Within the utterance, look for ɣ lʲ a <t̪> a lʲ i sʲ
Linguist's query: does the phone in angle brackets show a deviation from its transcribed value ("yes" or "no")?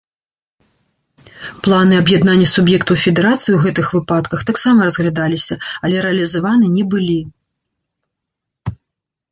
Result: yes